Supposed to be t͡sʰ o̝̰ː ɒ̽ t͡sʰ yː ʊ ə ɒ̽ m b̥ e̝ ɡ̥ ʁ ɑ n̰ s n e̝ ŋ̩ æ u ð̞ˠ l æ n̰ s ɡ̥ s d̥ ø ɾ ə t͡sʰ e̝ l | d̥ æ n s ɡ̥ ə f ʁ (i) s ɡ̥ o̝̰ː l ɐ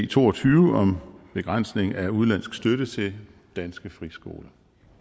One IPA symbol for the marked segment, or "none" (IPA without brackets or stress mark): i